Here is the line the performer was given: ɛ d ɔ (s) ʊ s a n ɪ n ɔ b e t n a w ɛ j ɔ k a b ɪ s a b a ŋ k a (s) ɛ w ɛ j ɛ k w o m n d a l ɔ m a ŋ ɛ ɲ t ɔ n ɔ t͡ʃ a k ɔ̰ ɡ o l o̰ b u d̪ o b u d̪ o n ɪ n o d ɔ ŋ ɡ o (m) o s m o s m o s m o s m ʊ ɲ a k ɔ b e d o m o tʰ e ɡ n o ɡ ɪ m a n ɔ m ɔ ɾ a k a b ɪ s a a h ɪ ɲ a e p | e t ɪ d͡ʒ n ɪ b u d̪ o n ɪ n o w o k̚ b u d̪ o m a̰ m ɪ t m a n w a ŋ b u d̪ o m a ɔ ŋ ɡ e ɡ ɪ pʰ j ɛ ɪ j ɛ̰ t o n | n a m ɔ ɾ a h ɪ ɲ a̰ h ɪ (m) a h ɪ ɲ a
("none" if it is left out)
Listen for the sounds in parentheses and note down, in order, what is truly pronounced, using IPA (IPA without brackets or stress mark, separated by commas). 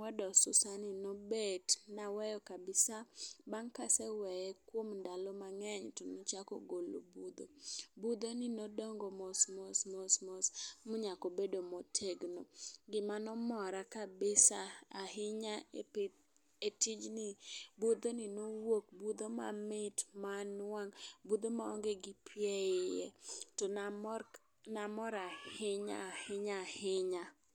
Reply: s, s, m, ɲ